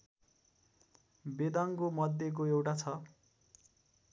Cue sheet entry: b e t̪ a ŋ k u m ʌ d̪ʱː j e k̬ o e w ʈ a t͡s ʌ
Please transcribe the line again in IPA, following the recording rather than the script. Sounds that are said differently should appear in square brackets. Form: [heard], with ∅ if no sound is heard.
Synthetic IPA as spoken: b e [d̪] a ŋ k [o] m ʌ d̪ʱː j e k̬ o e w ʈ a [t͡sʰ] ʌ